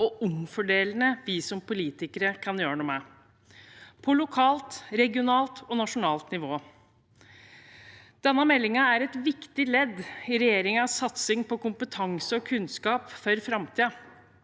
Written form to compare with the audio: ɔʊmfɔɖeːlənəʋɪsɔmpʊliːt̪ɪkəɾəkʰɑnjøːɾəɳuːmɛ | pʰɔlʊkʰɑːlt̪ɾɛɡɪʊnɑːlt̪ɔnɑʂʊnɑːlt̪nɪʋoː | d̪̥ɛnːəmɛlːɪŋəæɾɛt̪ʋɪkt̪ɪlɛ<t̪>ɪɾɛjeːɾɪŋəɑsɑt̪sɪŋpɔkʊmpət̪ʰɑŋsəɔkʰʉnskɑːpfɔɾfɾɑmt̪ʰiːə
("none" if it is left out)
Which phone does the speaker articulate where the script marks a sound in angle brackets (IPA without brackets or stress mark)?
d̪